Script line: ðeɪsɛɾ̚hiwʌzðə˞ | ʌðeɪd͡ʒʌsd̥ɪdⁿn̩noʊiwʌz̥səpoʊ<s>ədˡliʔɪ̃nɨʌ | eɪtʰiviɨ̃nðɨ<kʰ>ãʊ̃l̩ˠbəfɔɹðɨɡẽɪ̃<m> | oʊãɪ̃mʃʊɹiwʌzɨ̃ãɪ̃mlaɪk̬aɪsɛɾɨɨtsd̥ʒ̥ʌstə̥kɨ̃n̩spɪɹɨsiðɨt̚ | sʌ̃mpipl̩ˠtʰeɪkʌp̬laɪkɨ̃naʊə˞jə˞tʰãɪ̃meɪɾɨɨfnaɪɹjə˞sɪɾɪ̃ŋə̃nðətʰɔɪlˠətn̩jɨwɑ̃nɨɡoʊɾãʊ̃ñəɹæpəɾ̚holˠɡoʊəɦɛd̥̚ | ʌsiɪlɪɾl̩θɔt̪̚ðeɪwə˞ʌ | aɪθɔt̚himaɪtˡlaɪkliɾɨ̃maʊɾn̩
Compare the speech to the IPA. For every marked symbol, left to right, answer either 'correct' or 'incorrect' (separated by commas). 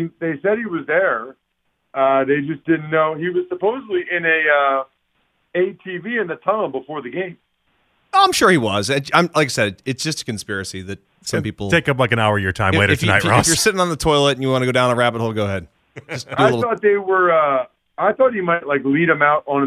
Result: incorrect, incorrect, correct